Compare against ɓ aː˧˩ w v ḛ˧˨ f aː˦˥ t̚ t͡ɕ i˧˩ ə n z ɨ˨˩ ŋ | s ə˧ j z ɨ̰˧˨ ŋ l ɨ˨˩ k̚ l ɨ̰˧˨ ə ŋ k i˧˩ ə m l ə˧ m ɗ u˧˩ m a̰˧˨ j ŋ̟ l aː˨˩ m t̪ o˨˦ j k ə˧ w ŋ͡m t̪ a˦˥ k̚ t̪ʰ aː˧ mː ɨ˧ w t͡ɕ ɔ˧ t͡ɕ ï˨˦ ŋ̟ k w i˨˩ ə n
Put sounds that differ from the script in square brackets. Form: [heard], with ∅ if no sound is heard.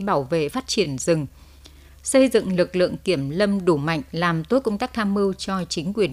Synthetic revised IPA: ɓ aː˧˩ w v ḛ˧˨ f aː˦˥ t̚ t͡ɕ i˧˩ ə n z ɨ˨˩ ŋ | s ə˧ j z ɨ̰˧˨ ŋ l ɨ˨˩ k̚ l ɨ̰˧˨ ə ŋ k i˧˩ ə m l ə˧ m ɗ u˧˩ m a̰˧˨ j ŋ̟ l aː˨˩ m t̪ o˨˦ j k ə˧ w ŋ͡m t̪ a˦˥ k̚ t̪ʰ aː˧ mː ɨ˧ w t͡ɕ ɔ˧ t͡ɕ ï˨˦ ŋ̟ k w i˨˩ ə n